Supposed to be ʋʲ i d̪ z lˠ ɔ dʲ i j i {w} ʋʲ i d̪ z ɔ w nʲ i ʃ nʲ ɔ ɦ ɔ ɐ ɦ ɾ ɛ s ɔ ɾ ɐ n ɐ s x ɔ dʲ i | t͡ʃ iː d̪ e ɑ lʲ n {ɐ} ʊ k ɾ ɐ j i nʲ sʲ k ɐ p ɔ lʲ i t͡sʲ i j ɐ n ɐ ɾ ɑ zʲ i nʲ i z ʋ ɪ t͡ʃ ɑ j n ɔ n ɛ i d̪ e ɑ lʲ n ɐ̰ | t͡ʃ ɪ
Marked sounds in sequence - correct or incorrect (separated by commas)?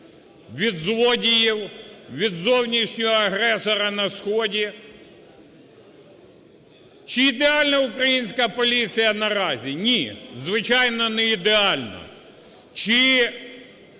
correct, correct